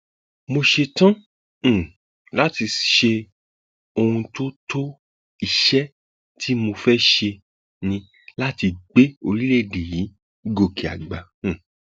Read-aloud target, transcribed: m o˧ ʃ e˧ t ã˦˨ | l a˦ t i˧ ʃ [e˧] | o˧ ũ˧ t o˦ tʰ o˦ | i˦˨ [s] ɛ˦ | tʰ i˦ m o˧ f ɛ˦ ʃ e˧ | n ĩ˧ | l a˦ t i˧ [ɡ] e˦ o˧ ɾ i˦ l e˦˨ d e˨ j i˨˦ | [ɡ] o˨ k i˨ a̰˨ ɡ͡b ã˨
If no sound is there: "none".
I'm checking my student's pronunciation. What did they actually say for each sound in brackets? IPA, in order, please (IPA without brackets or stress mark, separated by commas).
e˧, ʃ, ɡ͡b, ɡ